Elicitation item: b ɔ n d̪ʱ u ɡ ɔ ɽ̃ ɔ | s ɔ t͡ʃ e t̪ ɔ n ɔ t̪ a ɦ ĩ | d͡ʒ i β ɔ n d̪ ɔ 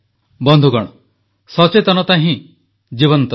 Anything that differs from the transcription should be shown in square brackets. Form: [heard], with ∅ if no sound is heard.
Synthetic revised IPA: b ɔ n d̪ʱ u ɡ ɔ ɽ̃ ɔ | s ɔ t͡ʃ e t̪ ɔ n ɔ t̪ a ɦ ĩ | d͡ʒ i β ɔ n [t̪] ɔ